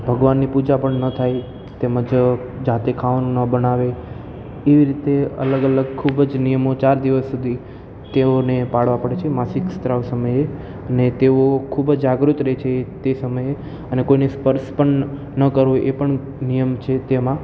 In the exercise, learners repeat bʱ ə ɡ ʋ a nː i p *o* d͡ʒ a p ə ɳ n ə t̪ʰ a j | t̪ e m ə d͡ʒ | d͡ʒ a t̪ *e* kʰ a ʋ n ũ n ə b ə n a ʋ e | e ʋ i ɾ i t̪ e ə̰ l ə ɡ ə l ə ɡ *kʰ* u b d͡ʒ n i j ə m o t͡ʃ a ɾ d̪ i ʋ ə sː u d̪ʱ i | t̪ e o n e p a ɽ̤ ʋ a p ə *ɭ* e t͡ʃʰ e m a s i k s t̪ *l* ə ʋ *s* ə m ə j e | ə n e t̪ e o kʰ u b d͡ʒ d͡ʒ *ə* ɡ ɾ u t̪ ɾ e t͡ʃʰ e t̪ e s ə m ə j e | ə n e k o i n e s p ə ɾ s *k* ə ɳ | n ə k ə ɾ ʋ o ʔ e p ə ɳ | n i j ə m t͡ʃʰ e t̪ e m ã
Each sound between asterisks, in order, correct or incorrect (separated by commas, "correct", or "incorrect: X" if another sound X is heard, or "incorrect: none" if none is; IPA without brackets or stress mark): incorrect: u, correct, correct, incorrect: ɽ, incorrect: ɾ, correct, incorrect: a, incorrect: p